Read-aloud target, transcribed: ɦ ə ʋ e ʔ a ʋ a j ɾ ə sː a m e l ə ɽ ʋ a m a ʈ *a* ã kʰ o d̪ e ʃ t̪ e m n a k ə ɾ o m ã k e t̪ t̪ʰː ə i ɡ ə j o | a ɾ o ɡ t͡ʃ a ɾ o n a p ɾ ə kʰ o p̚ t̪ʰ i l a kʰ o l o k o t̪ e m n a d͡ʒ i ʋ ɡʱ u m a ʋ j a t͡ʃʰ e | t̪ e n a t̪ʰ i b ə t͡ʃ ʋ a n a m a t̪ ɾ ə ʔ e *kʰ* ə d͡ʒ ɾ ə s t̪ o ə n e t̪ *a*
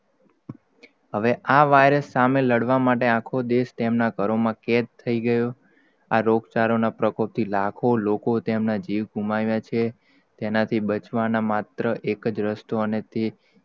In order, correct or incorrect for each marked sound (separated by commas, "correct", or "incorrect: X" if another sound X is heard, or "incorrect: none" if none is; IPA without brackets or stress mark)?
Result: incorrect: e, incorrect: k, incorrect: e